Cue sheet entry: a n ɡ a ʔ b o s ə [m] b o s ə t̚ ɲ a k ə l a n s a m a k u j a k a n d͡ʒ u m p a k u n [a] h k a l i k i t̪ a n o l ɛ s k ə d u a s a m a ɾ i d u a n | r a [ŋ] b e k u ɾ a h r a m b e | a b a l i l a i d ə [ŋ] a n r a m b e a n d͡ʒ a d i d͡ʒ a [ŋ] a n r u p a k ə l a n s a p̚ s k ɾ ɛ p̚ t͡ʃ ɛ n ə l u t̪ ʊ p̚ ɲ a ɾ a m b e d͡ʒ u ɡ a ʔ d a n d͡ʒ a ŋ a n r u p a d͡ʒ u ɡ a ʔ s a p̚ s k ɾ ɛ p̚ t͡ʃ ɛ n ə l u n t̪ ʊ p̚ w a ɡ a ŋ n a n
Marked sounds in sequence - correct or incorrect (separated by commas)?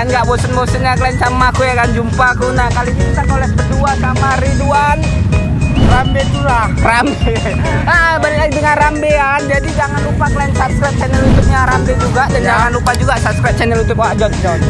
incorrect, correct, incorrect, correct, correct